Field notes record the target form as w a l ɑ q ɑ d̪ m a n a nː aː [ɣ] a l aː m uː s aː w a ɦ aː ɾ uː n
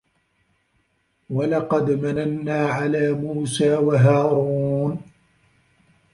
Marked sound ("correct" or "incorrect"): incorrect